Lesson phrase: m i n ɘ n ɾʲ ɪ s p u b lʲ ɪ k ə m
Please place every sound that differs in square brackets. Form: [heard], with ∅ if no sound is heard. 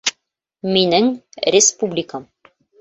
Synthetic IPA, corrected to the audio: m i n ɘ [ŋ] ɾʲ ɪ s p u b lʲ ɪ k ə m